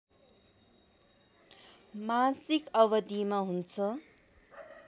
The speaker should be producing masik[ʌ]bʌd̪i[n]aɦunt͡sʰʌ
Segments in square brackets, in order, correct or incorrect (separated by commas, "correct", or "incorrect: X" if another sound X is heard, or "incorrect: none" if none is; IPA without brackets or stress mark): correct, incorrect: m